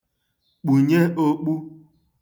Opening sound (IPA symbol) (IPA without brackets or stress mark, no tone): k͡p